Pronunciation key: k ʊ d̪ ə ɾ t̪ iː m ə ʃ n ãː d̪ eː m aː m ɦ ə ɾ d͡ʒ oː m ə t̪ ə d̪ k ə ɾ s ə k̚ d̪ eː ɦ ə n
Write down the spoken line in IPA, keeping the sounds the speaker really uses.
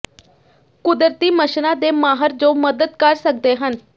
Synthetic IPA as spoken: k ʊ d̪ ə ɾ t̪ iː m ə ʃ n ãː d̪ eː m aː ɦ ə ɾ d͡ʒ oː m ə d̪ ə d̪ k ə ɾ s ə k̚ d̪ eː ɦ ə n